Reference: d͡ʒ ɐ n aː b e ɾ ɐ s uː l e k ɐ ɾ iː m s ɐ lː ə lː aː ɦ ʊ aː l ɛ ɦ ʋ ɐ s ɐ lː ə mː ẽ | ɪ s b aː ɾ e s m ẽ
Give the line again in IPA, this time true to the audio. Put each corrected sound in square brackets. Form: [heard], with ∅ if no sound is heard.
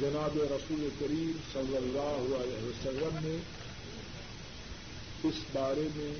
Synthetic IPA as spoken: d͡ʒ ɐ n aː b e ɾ ɐ s uː l e k ɐ ɾ iː m s ɐ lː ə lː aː ɦ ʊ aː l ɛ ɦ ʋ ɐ s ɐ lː ə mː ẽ | ɪ s b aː ɾ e [∅] m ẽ